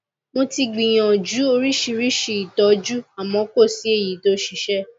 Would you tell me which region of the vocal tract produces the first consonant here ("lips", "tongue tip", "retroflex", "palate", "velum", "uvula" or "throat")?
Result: lips